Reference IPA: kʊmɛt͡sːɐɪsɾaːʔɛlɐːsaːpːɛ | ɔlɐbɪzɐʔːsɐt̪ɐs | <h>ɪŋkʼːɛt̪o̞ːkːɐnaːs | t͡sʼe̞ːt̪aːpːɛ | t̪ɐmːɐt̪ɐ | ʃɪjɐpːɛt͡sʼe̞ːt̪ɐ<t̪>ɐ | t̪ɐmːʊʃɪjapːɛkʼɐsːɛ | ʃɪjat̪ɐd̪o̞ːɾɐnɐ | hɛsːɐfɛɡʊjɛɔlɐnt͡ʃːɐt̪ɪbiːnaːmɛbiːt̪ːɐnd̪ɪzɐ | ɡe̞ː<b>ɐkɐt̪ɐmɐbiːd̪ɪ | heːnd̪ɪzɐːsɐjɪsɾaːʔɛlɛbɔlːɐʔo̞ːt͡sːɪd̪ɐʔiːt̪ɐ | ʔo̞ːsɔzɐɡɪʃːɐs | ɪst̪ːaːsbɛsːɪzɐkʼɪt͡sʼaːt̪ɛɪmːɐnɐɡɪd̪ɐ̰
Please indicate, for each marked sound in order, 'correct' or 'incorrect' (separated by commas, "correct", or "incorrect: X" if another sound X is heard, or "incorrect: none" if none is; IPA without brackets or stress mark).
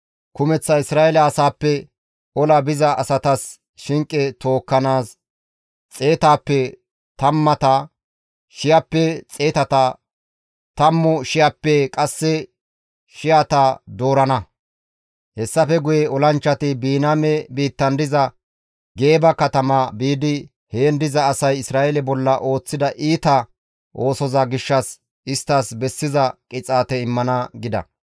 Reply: incorrect: ʃ, correct, correct